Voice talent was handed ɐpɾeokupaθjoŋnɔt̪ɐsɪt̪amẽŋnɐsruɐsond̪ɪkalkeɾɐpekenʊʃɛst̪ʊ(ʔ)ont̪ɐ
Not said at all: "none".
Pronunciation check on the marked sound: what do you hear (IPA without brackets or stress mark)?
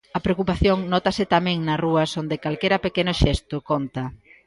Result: k